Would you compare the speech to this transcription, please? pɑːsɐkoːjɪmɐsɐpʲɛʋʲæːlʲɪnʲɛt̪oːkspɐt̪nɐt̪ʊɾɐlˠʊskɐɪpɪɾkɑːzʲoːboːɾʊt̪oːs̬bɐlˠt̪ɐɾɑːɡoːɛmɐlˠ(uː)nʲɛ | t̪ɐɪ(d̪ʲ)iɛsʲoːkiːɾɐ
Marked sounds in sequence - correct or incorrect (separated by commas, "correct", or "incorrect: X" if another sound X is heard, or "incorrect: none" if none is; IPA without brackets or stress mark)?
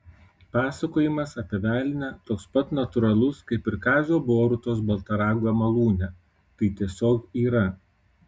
correct, incorrect: t̪ʲ